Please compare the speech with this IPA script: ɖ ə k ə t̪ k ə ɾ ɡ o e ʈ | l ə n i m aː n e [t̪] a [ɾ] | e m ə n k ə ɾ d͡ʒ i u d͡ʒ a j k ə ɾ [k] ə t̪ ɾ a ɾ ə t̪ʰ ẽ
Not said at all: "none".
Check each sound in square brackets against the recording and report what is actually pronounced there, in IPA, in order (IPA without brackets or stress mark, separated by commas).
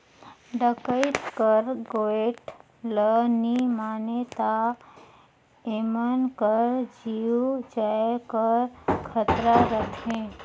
t̪, none, kʰ